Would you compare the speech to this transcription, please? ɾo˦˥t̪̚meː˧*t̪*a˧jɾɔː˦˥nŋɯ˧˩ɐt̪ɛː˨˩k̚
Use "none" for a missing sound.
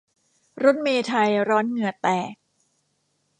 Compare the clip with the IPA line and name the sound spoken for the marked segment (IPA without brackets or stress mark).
t̪ʰ